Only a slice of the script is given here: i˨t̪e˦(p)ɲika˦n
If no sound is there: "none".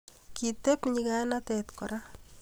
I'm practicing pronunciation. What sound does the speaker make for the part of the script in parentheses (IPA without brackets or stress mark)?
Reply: p